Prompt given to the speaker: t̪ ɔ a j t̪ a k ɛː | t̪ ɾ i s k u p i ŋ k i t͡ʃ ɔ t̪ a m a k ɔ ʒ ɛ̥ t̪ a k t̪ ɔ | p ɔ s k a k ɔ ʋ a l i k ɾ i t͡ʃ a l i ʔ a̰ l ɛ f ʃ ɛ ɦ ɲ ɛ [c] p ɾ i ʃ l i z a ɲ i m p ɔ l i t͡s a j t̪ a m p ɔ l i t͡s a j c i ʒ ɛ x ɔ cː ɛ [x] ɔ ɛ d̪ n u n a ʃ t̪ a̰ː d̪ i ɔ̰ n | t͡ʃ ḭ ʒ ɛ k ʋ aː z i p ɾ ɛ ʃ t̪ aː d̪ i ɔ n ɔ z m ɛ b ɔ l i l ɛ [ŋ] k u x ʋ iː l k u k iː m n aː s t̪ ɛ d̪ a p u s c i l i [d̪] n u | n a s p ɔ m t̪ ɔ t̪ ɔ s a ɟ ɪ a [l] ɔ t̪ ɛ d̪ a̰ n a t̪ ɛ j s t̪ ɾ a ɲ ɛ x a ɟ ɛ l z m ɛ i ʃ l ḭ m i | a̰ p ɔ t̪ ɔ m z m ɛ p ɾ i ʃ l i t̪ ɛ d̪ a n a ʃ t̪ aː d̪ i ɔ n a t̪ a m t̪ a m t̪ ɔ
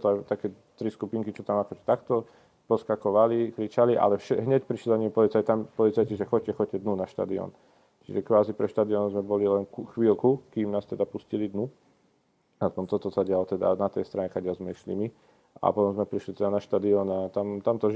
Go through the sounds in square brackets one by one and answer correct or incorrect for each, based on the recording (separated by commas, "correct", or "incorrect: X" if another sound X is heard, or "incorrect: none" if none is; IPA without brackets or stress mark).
correct, correct, incorrect: n, correct, correct